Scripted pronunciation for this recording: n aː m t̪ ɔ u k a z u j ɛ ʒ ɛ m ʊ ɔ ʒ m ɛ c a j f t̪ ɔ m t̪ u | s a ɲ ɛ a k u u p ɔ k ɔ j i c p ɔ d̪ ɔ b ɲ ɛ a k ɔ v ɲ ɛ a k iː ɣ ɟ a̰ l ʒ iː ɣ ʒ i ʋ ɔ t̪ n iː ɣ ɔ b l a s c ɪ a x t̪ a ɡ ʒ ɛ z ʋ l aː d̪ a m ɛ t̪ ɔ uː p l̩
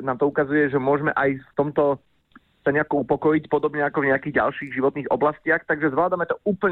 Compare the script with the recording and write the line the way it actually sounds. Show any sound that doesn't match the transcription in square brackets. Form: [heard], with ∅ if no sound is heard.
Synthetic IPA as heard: n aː m t̪ ɔ u k a z u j ɛ ʒ ɛ m ʊ ɔ ʒ m ɛ [ʔ] a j f t̪ ɔ m t̪ [ɔ] | s a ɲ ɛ a k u u p ɔ k ɔ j i c p ɔ d̪ ɔ b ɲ ɛ a k ɔ v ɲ ɛ a k iː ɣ ɟ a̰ l [ʃ] iː ɣ ʒ i ʋ ɔ t̪ n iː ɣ ɔ b l a s c ɪ a x t̪ a ɡ ʒ ɛ z ʋ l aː d̪ a m ɛ t̪ ɔ uː p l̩